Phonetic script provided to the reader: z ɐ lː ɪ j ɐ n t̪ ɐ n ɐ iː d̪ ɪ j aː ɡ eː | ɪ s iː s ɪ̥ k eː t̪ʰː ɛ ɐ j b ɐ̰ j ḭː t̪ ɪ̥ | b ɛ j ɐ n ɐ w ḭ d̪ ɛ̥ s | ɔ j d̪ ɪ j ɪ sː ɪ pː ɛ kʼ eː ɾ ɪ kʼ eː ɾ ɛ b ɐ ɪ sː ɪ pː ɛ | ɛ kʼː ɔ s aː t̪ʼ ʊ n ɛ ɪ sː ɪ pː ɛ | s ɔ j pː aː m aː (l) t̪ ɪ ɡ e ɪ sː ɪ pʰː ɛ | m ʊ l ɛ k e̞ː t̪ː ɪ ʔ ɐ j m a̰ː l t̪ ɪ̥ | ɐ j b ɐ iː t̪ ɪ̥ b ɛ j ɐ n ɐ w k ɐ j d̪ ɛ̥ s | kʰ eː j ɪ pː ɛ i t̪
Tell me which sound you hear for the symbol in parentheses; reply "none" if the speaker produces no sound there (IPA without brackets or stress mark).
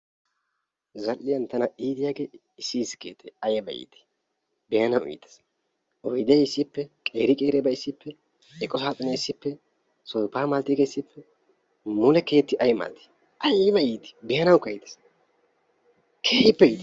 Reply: l